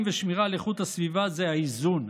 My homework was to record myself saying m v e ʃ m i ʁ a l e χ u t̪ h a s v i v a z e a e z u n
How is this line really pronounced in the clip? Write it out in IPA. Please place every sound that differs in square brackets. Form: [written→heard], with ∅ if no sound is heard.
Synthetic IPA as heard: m v e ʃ m i ʁ a l e χ u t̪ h a s v i v a z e a [e→i] z u n